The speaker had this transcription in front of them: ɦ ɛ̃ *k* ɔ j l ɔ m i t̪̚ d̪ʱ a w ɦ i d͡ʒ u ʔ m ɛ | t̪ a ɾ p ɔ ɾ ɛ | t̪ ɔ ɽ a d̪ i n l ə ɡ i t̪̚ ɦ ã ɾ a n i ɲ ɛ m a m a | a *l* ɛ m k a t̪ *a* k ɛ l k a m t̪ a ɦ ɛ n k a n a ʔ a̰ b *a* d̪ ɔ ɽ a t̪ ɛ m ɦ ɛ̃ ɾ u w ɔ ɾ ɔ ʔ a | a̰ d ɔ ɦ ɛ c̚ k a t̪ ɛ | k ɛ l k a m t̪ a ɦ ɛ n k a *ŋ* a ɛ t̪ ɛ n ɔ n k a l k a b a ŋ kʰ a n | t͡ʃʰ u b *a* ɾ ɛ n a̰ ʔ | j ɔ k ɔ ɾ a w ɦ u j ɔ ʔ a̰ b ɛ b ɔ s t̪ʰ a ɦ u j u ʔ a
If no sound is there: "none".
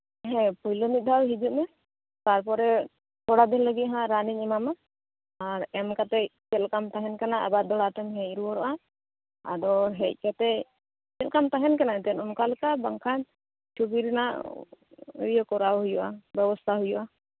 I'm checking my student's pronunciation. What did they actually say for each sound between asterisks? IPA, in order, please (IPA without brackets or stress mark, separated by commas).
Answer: p, ɾ, ɛ, a, n, i